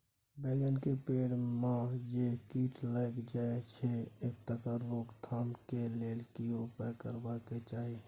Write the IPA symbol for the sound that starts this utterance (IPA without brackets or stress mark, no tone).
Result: b